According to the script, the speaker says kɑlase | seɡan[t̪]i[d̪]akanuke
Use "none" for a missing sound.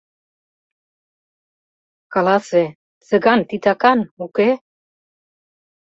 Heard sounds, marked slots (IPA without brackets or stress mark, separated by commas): t̪, t̪